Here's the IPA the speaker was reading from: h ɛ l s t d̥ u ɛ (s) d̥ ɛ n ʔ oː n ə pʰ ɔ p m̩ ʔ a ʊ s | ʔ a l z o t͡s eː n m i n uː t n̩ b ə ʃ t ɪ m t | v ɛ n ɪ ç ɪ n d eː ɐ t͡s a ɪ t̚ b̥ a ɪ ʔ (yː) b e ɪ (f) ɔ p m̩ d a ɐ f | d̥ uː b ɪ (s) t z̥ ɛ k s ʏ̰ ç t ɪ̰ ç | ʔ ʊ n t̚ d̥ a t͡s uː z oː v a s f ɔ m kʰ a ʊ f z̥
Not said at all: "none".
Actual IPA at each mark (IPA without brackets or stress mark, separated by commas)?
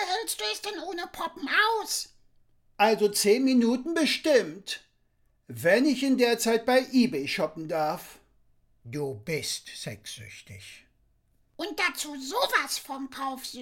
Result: s, iː, ʃ, s